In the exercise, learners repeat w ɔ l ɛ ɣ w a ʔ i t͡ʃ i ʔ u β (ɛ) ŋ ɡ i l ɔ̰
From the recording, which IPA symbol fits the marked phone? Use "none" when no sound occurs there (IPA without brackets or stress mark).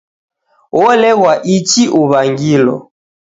a